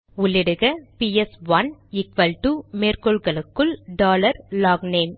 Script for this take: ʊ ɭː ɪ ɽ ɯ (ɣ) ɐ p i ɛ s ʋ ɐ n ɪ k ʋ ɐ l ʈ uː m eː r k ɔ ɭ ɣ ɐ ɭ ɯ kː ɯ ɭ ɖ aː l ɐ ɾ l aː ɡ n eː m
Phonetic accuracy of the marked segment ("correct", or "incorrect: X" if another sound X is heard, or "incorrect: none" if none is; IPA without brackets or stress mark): correct